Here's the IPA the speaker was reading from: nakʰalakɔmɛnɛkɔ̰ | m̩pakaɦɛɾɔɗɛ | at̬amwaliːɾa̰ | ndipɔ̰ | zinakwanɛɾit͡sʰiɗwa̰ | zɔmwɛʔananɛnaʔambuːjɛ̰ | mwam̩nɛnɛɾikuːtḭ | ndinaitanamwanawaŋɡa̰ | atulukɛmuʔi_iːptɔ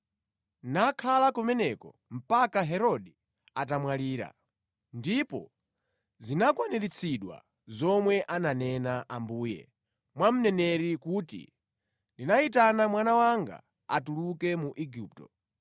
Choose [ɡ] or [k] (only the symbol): ɡ